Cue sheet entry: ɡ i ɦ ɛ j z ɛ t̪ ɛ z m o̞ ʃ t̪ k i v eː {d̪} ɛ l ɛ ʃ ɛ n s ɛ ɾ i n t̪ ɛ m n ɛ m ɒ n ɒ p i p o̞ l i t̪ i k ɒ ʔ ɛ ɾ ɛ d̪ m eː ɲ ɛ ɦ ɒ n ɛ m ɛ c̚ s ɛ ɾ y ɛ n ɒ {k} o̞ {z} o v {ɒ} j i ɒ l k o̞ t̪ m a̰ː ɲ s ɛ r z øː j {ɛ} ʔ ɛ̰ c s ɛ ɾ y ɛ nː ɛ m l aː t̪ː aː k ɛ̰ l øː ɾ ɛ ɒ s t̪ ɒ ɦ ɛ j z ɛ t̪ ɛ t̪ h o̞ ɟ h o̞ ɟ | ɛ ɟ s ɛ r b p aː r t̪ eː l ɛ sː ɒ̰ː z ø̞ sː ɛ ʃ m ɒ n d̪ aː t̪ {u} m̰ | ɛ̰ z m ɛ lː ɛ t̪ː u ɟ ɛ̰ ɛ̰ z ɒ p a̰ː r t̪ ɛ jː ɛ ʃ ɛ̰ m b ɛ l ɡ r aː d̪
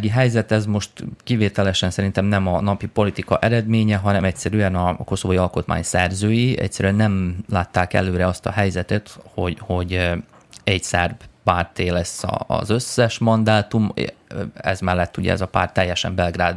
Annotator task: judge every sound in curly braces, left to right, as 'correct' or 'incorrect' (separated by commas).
incorrect, correct, incorrect, incorrect, incorrect, correct